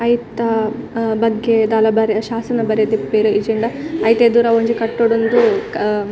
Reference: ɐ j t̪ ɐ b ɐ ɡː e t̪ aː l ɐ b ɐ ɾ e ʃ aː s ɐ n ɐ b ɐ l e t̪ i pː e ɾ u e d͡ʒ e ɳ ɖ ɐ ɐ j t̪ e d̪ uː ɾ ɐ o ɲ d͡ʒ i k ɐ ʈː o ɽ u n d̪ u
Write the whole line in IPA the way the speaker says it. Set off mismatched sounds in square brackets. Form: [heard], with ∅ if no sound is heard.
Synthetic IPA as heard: ɐ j t̪ ɐ b ɐ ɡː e [d̪] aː l ɐ b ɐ ɾ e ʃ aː s ɐ n ɐ b ɐ [ɾ] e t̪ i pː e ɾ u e d͡ʒ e ɳ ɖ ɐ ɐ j t̪ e d̪ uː ɾ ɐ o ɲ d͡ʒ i k ɐ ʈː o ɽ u n d̪ u